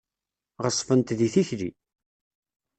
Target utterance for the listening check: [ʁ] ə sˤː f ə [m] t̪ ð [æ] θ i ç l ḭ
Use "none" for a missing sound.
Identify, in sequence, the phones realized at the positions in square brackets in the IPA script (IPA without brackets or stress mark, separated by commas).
ʁ, n, i